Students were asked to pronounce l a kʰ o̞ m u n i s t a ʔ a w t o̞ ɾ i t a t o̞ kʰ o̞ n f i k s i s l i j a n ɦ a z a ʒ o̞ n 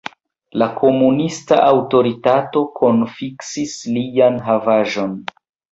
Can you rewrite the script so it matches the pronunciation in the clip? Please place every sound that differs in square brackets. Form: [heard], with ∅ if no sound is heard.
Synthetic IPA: l a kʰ o̞ m u n i s t a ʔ a w t o̞ ɾ i t a t o̞ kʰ o̞ n f i k s i s l i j a n ɦ a [v] a ʒ o̞ n